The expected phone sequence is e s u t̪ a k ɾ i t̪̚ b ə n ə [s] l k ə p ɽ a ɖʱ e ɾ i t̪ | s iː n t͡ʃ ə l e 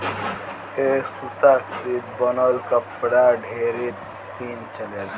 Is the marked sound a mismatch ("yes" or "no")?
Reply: yes